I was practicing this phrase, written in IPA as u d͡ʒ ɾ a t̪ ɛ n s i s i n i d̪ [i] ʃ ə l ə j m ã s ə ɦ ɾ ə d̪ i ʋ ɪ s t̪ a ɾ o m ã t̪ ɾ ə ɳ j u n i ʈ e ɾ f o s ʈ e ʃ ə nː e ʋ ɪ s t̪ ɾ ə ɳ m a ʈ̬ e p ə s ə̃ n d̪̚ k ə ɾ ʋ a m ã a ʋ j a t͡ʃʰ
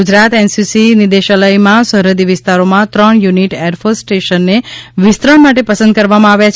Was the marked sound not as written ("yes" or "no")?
yes